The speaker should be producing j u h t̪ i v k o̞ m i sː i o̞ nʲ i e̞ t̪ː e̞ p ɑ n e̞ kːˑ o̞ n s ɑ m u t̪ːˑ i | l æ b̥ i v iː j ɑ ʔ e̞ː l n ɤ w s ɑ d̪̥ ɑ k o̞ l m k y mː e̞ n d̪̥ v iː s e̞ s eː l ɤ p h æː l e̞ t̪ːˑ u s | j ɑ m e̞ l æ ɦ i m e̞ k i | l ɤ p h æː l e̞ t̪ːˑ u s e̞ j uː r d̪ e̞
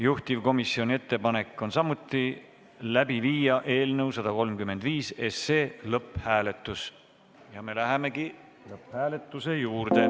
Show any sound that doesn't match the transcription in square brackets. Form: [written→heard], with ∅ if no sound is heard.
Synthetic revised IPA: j u h t̪ i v k o̞ m i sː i o̞ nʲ i e̞ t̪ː e̞ p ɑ n e̞ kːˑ o̞ n s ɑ m u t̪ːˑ i | l æ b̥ i v iː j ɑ ʔ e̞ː l n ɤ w s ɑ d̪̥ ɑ k o̞ l m k y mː e̞ n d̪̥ v iː s e̞ s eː l ɤ p h æː l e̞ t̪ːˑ u s | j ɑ m e̞ l æ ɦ [i→e] m e̞ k i | l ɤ p h æː l e̞ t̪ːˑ u s e̞ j uː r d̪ e̞